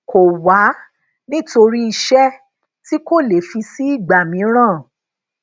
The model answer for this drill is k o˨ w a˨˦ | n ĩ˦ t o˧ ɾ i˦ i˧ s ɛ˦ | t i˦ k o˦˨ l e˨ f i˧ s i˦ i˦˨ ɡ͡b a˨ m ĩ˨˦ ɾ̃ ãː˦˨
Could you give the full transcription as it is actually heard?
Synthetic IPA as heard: k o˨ w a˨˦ | n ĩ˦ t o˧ ɾ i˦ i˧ ʃ ɛ˦ | t i˦ k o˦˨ l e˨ f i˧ s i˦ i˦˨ ɡ͡b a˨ m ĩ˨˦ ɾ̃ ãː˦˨